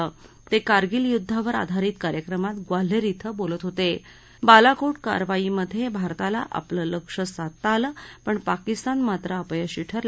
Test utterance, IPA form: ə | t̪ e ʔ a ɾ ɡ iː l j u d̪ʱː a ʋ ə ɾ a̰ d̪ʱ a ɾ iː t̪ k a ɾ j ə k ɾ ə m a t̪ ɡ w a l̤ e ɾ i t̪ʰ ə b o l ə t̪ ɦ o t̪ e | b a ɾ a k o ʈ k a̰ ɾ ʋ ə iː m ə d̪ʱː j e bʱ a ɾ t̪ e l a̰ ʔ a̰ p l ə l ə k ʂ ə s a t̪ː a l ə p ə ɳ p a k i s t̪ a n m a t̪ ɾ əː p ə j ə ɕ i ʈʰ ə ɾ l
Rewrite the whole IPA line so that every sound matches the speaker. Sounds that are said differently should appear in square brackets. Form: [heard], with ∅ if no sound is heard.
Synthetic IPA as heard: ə | t̪ e [k] a ɾ ɡ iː l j u d̪ʱː a ʋ ə ɾ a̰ d̪ʱ a ɾ iː t̪ k a ɾ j ə k ɾ ə m a t̪ ɡ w a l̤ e ɾ i t̪ʰ ə b o l ə t̪ ɦ o t̪ e | b a [l] a k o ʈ k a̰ ɾ ʋ [a] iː m ə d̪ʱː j e bʱ a ɾ t̪ [a] l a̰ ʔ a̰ p l ə l ə k ʂ ə s a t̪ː a l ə p ə ɳ p a k i s t̪ a n m a t̪ ɾ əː p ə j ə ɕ i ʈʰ ə ɾ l